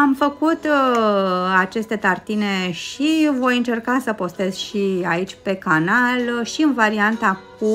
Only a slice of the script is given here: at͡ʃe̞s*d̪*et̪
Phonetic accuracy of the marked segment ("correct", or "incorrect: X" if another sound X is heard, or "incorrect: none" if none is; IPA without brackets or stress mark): incorrect: t̪